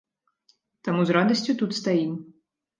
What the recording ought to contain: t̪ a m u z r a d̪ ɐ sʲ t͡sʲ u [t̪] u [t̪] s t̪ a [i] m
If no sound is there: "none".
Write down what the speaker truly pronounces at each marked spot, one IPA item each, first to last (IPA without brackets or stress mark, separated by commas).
t̪, t̪, i